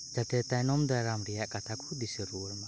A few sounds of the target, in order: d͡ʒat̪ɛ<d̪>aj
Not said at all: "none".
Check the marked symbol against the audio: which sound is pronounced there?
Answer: t̪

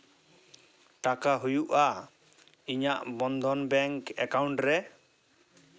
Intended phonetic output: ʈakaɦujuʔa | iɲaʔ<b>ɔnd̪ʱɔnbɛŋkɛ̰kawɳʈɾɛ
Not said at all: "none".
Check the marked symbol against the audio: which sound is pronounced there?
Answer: b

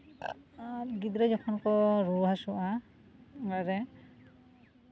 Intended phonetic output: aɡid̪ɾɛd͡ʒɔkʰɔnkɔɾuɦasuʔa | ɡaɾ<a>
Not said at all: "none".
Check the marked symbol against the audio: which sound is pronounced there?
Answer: ɛ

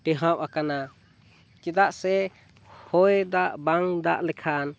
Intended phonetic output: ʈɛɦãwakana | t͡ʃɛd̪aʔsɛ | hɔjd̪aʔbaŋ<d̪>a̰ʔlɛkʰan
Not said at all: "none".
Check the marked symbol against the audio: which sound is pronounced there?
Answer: d̪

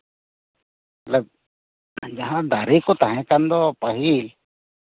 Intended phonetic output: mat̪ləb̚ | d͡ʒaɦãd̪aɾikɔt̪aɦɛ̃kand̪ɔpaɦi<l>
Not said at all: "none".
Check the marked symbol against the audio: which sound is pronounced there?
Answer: l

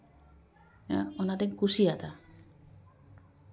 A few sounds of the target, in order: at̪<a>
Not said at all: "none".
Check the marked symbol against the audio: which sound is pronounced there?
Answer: a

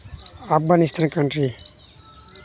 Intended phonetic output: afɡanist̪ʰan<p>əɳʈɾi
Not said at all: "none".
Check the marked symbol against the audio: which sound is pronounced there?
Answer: k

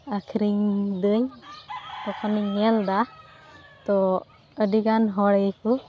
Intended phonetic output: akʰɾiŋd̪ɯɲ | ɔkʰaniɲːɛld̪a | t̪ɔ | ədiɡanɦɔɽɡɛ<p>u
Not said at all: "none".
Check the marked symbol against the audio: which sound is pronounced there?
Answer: k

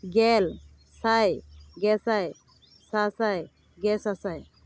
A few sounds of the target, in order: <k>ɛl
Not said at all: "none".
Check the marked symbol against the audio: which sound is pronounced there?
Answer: ɡ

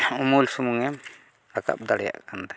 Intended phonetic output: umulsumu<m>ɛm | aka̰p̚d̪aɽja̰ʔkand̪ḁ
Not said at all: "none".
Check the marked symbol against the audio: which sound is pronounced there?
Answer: ŋ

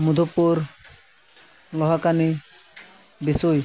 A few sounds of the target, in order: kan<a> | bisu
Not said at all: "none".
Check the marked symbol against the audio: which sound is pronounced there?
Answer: i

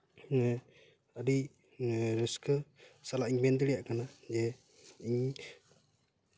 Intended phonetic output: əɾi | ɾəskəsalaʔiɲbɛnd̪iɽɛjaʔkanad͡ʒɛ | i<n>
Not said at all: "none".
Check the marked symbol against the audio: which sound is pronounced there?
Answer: ɲ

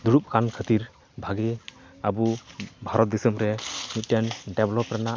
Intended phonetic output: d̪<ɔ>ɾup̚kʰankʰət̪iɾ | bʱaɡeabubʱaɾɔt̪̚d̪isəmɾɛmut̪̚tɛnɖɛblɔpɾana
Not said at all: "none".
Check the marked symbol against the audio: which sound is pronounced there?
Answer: u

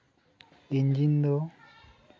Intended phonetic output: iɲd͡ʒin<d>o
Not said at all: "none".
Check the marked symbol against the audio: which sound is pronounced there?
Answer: d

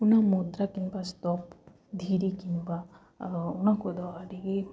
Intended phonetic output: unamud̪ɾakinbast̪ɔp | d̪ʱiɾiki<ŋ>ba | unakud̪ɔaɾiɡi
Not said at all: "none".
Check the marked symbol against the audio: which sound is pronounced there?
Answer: n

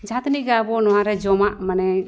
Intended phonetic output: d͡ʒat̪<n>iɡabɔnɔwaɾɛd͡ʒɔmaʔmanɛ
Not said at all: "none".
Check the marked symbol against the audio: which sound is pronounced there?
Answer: n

